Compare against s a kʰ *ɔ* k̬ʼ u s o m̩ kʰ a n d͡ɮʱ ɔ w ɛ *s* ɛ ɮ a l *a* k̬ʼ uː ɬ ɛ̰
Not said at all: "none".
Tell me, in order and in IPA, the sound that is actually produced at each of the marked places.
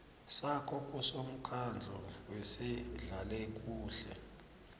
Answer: ɔ, s, ɛ

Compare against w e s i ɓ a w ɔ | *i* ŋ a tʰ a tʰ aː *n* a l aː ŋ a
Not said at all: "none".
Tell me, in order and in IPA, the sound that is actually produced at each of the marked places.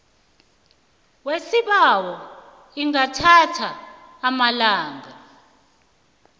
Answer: i, m

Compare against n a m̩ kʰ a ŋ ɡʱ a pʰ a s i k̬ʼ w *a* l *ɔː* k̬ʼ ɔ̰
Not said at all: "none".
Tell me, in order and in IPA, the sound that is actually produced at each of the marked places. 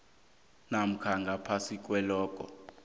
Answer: ɛ, ɔː

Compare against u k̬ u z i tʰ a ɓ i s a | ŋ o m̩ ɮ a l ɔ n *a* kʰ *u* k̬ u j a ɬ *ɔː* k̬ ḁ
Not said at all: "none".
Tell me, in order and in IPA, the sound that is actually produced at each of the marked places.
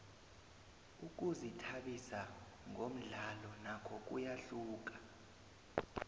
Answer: a, ɔ, uː

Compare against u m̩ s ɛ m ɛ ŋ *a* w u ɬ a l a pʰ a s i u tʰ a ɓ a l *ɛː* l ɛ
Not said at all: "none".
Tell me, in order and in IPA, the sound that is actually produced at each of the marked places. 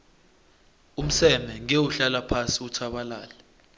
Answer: e, aː

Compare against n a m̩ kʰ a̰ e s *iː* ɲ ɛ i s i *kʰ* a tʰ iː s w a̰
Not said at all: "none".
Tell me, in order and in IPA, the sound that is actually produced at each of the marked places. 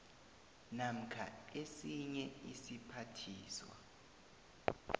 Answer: i, pʰ

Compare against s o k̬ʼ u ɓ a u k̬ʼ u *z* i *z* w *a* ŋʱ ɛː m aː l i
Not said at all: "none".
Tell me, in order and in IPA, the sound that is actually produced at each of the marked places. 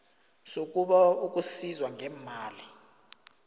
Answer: s, z, a

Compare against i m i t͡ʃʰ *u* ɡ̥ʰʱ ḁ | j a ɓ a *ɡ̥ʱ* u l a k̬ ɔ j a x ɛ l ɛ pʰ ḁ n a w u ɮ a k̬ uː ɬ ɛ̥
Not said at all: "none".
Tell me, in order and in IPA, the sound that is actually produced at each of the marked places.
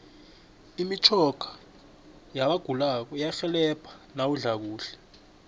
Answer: ɔ, ɡ̥ʱ

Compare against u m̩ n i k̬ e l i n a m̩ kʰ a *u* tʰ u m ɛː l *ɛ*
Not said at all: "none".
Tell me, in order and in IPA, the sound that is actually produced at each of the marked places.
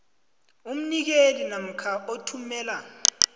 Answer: o, a

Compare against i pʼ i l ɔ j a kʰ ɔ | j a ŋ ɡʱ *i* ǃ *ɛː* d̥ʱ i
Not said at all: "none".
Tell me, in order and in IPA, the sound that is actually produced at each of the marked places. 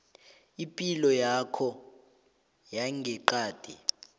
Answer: ɛ, aː

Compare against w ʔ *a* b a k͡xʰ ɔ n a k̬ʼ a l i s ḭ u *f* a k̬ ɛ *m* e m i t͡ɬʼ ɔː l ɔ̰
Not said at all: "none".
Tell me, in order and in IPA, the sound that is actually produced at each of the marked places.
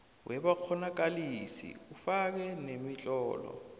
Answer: ɛ, f, n

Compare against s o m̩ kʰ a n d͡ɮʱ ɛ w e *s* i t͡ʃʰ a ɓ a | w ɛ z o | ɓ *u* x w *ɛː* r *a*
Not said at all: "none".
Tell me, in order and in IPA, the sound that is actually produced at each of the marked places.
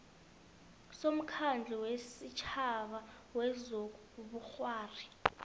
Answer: s, u, aː, i

